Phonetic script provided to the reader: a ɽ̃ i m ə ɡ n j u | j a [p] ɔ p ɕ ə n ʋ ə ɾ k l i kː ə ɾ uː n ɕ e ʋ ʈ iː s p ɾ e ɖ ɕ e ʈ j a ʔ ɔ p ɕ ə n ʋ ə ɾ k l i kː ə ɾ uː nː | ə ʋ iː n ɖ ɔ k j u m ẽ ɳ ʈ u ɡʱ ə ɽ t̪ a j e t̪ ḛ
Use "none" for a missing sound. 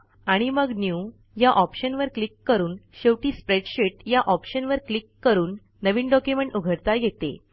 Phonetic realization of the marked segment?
ʔ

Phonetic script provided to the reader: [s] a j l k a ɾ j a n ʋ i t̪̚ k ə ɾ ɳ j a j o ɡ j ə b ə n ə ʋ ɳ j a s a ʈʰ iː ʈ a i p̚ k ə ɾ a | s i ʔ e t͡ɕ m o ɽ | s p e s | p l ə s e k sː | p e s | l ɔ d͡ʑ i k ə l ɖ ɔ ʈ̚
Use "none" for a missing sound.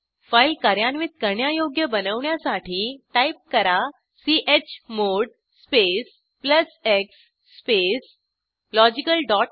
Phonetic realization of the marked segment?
f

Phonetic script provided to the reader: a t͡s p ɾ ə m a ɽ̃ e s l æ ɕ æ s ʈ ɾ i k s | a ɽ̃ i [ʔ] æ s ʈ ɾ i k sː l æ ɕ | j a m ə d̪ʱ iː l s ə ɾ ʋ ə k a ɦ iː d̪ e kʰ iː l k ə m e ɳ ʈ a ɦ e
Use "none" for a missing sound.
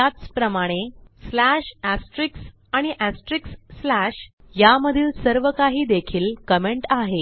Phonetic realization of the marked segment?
ʔ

